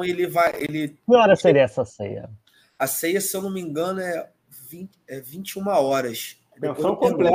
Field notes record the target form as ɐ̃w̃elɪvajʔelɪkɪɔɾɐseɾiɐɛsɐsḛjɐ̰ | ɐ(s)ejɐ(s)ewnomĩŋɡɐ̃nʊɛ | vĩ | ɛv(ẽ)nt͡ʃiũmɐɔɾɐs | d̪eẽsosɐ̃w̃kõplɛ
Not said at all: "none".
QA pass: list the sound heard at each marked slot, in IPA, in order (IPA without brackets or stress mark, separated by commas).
s, s, ĩ